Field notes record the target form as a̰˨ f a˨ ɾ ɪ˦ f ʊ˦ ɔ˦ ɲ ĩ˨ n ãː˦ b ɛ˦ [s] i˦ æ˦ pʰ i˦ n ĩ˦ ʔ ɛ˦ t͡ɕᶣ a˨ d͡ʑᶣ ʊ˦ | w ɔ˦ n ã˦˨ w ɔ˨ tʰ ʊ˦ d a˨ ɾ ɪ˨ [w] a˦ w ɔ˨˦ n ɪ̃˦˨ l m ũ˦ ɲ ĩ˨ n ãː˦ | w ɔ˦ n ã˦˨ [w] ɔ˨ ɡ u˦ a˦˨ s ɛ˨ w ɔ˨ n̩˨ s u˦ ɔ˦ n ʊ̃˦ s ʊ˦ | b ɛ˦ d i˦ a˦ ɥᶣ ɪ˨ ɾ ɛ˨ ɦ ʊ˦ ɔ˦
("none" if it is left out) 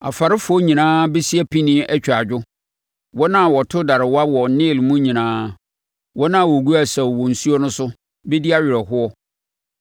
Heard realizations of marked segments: s, w, w

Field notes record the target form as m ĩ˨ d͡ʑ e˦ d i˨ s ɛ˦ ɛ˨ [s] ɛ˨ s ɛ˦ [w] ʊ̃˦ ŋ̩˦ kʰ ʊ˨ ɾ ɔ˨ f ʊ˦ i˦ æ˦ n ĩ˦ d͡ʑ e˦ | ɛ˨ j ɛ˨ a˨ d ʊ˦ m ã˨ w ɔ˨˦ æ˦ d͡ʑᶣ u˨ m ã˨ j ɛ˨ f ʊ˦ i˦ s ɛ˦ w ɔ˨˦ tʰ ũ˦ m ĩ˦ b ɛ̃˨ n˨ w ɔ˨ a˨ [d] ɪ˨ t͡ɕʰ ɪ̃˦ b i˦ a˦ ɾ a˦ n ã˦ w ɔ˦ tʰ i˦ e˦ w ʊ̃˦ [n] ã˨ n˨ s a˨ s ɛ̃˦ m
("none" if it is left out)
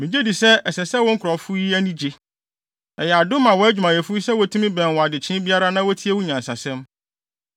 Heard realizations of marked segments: s, w, d, ɲ

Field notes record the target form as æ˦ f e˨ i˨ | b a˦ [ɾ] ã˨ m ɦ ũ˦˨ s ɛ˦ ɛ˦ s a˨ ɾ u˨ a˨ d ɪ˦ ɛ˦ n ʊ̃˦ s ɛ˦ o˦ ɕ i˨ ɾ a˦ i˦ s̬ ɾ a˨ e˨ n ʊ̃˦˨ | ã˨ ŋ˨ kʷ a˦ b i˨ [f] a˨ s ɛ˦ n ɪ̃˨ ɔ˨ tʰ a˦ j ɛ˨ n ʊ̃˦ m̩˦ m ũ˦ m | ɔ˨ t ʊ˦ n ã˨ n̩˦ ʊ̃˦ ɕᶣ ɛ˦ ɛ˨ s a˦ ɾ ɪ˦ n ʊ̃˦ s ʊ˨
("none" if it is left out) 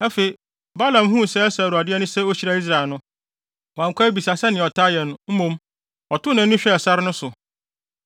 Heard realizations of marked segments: l, s

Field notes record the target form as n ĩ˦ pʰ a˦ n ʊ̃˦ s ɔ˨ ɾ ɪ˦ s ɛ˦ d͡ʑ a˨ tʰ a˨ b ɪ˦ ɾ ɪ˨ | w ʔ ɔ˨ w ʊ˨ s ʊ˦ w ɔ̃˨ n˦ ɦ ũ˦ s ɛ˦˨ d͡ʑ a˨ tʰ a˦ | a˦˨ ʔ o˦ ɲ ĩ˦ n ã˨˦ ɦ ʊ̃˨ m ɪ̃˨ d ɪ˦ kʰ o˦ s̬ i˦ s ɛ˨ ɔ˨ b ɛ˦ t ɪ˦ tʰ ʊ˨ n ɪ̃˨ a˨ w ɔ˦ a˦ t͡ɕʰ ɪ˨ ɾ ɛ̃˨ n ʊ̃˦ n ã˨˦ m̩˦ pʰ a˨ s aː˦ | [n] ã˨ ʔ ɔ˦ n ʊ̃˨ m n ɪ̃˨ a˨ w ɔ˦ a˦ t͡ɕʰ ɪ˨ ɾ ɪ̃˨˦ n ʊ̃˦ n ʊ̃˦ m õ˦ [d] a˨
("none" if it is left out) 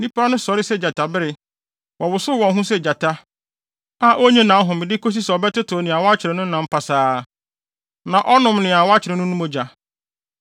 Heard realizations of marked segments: n, d͡ʑ

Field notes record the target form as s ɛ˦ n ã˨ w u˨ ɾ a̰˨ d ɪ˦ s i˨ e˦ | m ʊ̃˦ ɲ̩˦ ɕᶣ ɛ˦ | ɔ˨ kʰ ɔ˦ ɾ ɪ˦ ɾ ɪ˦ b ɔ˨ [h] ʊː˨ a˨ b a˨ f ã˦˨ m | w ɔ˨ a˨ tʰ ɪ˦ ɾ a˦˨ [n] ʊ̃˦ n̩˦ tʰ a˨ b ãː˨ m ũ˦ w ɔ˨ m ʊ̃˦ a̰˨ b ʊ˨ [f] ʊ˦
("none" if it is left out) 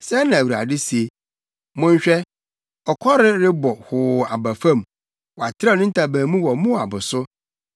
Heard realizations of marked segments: h, n, s

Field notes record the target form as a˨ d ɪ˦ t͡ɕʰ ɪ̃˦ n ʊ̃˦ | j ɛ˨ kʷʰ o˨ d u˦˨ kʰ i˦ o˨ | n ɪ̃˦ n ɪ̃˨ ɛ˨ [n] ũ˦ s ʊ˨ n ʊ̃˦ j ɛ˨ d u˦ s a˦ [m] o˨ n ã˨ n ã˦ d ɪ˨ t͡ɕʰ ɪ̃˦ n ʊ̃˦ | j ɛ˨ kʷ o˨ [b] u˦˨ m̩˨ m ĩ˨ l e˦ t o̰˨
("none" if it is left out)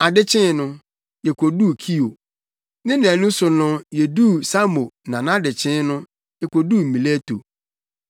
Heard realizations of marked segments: n, m, d

